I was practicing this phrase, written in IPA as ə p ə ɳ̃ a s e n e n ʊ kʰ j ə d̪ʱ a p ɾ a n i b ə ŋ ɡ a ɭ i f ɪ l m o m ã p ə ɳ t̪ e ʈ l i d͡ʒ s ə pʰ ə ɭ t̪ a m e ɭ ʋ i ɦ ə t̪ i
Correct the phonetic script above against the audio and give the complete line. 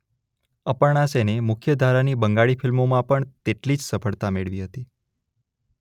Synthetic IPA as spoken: ə p ə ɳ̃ a s e n e m ʊ kʰ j ə d̪ʱ a ɾ a n i b ə ŋ ɡ a ɭ i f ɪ l m o m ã p ə ɳ t̪ e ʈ l i d͡ʒ s ə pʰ ə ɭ t̪ a m e ɭ ʋ i ɦ ə t̪ i